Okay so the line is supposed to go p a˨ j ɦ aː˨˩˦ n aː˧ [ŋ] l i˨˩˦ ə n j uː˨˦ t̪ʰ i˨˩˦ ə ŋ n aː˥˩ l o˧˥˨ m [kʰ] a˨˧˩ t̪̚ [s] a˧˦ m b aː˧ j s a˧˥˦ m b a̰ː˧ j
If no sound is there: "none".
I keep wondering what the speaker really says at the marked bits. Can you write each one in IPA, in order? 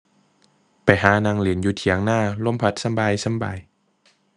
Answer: ŋ, pʰ, s

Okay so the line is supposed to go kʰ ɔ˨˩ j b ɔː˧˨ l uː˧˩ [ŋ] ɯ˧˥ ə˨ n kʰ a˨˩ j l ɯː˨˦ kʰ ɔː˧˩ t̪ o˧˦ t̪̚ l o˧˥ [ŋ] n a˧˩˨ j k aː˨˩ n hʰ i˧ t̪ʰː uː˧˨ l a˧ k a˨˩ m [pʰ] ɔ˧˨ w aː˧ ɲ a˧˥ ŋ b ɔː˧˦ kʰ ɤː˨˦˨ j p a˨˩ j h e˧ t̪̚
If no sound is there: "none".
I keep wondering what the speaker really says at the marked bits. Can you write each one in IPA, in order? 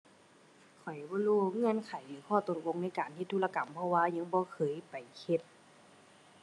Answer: ŋ, ŋ, pʰ

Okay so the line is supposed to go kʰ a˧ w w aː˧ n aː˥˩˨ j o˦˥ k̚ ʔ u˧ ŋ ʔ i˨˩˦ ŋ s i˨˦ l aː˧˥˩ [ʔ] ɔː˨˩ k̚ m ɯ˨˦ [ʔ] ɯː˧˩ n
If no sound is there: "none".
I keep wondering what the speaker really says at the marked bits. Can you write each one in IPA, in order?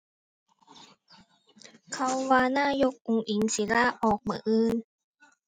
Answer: ʔ, ʔ

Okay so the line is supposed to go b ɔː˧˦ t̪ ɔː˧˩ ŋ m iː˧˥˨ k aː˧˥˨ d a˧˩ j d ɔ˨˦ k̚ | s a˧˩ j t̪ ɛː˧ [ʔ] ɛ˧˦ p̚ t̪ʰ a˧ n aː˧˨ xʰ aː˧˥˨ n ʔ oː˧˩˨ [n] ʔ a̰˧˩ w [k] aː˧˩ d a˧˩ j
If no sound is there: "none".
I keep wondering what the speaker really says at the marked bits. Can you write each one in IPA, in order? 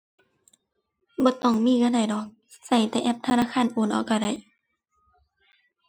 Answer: ʔ, n, k

